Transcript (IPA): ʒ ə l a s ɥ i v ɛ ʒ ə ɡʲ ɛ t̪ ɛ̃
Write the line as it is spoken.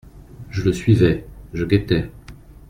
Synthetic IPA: ʒ ə l ə s ɥ i v ɛ ʒ ə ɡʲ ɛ t̪ ɛ